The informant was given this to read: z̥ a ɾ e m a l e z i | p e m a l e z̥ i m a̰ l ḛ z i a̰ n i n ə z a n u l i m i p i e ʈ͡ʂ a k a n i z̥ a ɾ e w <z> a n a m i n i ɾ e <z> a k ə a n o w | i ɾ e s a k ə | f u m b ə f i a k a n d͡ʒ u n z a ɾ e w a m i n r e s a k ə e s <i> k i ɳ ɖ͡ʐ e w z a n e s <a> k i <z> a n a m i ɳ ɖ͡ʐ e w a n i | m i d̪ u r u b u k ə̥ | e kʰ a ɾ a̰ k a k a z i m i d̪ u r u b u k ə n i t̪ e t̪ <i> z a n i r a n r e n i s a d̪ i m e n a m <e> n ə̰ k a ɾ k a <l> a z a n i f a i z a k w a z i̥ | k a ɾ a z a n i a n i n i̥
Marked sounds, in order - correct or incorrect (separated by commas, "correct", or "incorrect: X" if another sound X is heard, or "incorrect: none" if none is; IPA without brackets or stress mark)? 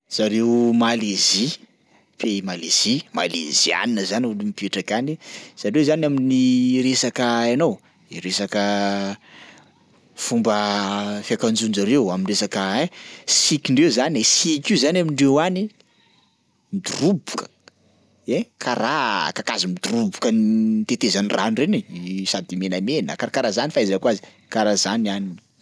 correct, incorrect: s, correct, incorrect: i, correct, incorrect: e, correct, incorrect: ɾ